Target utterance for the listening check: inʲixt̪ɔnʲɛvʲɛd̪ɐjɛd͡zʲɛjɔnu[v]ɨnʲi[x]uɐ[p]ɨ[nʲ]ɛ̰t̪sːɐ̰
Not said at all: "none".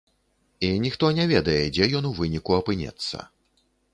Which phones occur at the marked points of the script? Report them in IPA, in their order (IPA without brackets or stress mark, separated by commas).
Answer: v, k, p, nʲ